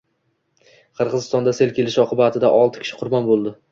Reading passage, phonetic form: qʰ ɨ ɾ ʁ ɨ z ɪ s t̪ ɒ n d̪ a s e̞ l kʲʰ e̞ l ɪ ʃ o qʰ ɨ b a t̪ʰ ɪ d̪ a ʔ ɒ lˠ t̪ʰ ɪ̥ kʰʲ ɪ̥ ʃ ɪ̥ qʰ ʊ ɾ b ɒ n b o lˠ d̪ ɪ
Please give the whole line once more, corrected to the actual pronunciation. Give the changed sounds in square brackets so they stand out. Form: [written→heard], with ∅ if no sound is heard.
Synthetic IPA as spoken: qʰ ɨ ɾ ʁ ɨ z ɪ s t̪ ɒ n d̪ a s e̞ l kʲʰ e̞ l ɪ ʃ [o→ɒ] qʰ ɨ b a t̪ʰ ɪ d̪ a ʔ ɒ lˠ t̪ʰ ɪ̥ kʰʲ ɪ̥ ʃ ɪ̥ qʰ ʊ ɾ b ɒ n b o lˠ d̪ ɪ